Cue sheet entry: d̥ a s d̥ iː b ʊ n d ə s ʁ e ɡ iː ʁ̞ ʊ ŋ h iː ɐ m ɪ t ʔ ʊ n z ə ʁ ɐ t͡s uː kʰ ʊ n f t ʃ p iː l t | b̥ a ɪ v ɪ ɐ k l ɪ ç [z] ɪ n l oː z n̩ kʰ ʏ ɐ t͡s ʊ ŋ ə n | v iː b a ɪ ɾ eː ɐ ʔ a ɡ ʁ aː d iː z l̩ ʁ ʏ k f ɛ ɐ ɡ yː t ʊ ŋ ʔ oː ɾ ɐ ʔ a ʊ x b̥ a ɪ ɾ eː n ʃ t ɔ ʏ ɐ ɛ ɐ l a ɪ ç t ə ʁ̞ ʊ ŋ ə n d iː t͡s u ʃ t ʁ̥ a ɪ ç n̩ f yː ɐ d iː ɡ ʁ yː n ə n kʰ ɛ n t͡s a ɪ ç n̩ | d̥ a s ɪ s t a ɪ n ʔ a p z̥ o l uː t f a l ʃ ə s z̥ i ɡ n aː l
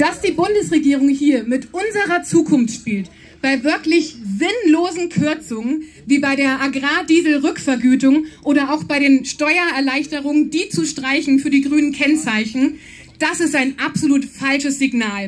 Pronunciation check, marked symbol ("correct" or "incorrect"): correct